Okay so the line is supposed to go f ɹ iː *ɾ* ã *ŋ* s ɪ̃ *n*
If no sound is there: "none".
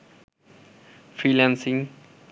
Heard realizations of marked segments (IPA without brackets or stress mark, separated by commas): l, n, ŋ